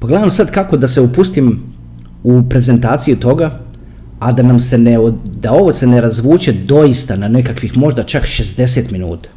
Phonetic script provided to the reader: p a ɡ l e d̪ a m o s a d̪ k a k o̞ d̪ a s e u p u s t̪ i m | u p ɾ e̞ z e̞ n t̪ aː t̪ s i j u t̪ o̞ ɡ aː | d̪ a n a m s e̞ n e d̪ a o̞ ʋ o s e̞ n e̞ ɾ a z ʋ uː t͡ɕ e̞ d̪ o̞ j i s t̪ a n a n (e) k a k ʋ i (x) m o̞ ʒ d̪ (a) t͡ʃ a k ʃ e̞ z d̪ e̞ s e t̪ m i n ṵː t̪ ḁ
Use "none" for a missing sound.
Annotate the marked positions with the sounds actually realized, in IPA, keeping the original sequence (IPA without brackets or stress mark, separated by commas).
e, x, a